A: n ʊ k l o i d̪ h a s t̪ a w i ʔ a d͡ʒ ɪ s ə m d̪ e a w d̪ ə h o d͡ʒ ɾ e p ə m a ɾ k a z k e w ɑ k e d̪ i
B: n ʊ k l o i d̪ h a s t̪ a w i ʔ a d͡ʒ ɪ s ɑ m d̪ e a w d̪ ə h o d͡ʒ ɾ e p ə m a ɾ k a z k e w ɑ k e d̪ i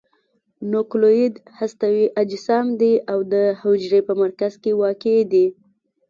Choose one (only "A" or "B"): B